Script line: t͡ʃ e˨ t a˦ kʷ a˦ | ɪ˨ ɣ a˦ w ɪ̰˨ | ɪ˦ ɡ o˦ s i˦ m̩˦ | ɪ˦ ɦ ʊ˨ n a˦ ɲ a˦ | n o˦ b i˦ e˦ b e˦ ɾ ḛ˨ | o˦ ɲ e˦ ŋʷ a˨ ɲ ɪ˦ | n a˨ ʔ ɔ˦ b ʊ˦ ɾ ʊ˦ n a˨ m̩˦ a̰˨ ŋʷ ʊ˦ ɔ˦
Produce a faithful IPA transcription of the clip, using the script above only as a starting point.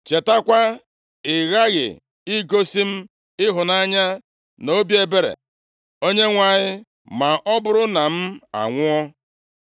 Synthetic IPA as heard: t͡ʃ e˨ t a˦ kʷ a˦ | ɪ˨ ɣ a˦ ɣ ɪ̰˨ | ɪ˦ ɡ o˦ s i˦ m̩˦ | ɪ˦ ɦ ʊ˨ n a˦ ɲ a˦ | n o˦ b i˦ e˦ b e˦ ɾ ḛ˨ | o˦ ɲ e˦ ŋʷ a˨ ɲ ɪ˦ | m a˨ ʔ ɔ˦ b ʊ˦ ɾ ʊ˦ n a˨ m̩˦ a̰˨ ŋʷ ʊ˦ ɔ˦